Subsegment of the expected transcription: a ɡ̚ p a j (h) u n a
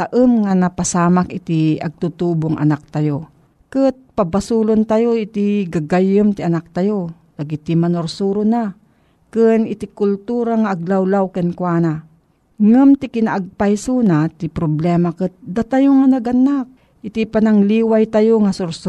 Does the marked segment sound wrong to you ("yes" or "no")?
yes